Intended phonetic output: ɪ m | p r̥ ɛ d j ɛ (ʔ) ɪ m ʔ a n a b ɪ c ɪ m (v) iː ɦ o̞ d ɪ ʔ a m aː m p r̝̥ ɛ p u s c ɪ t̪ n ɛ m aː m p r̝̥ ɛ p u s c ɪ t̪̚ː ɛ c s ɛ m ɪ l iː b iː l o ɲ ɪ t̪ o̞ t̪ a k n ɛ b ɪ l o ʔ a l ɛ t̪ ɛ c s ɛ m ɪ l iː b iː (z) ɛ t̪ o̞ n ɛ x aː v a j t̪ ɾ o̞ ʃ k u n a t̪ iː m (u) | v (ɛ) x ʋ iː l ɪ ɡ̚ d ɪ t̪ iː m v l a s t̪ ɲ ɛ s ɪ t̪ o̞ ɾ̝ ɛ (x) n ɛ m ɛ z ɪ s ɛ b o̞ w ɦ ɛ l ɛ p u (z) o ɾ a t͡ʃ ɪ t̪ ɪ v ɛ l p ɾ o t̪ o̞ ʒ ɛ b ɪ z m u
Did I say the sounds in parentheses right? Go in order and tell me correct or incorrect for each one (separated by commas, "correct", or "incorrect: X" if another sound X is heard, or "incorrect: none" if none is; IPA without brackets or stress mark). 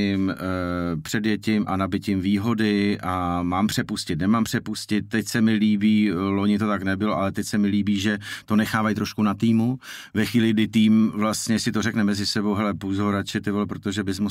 incorrect: c, correct, incorrect: ʒ, correct, correct, incorrect: k, correct